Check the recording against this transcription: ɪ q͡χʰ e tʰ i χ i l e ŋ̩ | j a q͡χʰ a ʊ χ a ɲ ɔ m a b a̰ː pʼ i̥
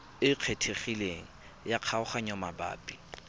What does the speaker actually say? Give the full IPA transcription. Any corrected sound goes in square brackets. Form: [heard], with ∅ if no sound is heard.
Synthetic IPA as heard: ɪ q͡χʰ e tʰ [e] χ i l e ŋ̩ | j a q͡χʰ a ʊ χ a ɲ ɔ m a b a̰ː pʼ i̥